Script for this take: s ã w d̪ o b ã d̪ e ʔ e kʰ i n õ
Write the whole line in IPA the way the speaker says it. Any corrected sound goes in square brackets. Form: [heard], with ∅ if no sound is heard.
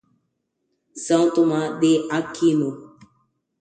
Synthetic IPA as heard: s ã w [t̪] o [m] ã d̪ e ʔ [a] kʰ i n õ

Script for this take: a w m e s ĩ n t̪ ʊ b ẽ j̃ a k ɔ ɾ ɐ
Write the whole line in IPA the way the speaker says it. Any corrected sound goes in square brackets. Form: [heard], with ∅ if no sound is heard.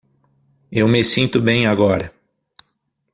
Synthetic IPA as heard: [e] w m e s ĩ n t̪ ʊ b ẽ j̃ a [ɡ] ɔ ɾ ɐ

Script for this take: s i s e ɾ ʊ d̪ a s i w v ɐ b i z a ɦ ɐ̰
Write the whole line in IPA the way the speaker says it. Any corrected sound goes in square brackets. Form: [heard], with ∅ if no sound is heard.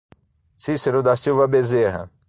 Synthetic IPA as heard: s i s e ɾ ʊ d̪ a s i w v ɐ b [e] z [e] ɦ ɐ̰

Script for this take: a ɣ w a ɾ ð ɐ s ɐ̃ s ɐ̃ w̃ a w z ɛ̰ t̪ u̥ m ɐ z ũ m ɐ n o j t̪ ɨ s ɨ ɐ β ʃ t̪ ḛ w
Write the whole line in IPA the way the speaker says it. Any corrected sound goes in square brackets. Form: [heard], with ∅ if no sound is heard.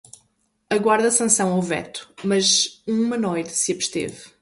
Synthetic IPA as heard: [ɐ] ɣ w a ɾ ð ɐ s ɐ̃ s ɐ̃ w̃ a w [v] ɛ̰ t̪ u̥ m ɐ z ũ m ɐ n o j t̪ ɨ s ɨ ɐ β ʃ t̪ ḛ [v]

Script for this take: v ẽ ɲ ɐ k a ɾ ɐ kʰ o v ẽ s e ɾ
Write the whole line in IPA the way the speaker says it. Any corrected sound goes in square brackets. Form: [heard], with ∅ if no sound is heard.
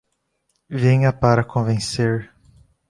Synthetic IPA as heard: v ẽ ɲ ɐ [p] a ɾ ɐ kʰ [õ] v ẽ s e ɾ

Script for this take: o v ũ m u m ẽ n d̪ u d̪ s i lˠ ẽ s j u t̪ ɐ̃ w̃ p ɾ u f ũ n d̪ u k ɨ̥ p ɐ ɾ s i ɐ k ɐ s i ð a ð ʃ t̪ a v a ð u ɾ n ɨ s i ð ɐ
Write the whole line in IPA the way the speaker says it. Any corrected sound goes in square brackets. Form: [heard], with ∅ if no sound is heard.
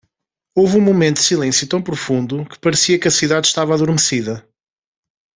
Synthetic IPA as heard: o v ũ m u m ẽ n [t̪] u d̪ s i lˠ ẽ s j u t̪ ɐ̃ w̃ p ɾ u f ũ n d̪ u k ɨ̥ p ɐ ɾ s i ɐ k ɐ s i ð a ð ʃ t̪ a v a ð u ɾ [m] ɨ s i ð ɐ

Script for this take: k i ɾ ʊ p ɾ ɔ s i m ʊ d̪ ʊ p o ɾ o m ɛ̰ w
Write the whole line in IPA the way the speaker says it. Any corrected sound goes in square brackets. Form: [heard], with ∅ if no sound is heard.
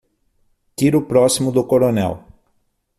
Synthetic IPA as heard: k i ɾ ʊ p ɾ ɔ s i m ʊ d̪ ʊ [k] o ɾ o [n] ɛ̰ w

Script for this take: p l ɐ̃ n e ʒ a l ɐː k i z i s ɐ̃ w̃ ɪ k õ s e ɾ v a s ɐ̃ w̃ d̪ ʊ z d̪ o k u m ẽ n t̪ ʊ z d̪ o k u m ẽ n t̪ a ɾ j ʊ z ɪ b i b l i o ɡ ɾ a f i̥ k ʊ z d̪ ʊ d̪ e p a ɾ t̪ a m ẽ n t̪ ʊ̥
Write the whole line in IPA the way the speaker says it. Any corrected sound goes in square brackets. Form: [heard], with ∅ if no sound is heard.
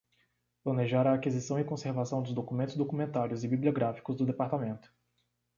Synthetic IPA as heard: p l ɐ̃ n e ʒ a [ɾ] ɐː k i z i s ɐ̃ w̃ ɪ k õ s e ɾ v a s ɐ̃ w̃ d̪ ʊ z d̪ o k u m ẽ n t̪ ʊ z d̪ o k u m ẽ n t̪ a ɾ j ʊ z ɪ b i b l i o ɡ ɾ a f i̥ k ʊ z d̪ ʊ d̪ e p a ɾ t̪ a m ẽ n t̪ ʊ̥

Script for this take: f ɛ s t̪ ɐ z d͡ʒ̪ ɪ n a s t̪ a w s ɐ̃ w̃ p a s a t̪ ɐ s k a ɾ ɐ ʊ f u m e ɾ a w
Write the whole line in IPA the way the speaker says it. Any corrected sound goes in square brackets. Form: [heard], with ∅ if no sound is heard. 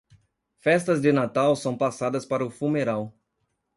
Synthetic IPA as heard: f ɛ s t̪ ɐ z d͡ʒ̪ ɪ n a [∅] t̪ a w s ɐ̃ w̃ p a s a [d̪] ɐ s [p] a ɾ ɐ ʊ f u m e ɾ a w

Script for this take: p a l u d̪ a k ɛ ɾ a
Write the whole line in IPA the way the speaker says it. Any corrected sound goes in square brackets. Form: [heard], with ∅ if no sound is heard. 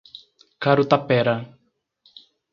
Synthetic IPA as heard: [k] a [ɾ] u [t̪] a [p] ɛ ɾ a

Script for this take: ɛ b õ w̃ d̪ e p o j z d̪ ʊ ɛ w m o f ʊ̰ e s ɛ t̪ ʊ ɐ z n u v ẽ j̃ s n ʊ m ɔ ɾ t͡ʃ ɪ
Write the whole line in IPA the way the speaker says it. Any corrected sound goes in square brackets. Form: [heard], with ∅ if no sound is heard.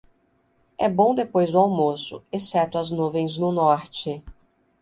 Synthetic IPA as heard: ɛ b õ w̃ d̪ e p o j z d̪ ʊ [a] w m o [s] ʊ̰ e s ɛ t̪ ʊ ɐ z n u v ẽ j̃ [z] n ʊ [n] ɔ ɾ t͡ʃ ɪ

